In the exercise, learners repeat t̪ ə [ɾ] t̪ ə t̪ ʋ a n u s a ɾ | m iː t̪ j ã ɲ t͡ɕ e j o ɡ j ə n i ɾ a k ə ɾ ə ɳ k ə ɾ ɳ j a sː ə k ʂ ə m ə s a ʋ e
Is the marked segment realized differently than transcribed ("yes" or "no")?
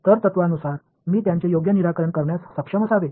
no